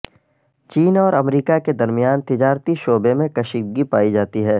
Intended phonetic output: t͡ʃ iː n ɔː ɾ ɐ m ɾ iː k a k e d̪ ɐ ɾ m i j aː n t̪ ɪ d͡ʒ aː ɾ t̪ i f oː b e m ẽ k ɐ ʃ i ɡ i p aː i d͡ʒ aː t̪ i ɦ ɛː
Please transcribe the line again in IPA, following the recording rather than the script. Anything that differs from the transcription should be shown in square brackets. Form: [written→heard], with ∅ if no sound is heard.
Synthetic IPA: t͡ʃ iː n ɔː ɾ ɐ m ɾ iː k a k e d̪ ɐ ɾ m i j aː n t̪ ɪ d͡ʒ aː ɾ t̪ i [f→ʃ] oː b e m ẽ k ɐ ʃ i ɡ i p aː i d͡ʒ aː t̪ i ɦ ɛː